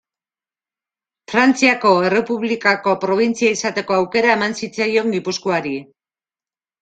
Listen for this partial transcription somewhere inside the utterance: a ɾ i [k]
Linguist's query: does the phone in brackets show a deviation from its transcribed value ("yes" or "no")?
yes